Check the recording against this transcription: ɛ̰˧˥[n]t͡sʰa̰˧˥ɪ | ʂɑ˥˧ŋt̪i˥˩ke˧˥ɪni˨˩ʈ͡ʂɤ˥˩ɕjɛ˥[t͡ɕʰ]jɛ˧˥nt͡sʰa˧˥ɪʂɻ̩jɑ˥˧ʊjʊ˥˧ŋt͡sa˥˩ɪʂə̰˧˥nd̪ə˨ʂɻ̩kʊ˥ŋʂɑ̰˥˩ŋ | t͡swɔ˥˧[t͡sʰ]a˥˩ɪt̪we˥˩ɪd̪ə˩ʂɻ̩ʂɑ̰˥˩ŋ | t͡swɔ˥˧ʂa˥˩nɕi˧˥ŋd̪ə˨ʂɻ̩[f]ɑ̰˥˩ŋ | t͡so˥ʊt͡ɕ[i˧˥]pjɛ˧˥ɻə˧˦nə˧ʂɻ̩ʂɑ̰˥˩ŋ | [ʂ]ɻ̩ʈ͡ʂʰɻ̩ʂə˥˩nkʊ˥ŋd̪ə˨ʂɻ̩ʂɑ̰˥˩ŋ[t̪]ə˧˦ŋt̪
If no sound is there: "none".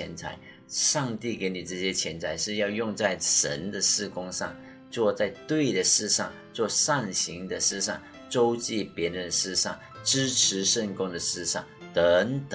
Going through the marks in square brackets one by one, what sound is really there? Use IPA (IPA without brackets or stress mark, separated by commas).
n, t͡ɕʰ, t͡s, ʂ, i˥˩, ʈ͡ʂ, t̪